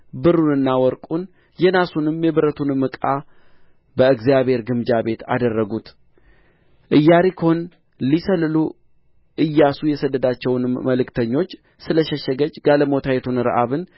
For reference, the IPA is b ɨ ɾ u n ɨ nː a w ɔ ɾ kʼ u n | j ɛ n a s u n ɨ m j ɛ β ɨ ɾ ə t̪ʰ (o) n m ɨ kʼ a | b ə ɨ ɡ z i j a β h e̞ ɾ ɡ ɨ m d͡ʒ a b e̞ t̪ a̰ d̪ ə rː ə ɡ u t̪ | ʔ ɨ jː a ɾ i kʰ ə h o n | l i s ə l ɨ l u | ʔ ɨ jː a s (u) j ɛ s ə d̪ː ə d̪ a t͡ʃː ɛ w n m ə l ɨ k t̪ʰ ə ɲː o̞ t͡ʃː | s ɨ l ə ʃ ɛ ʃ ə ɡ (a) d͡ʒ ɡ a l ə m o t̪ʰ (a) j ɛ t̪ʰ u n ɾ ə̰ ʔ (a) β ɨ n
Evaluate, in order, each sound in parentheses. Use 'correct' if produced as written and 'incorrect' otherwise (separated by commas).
incorrect, correct, incorrect, correct, correct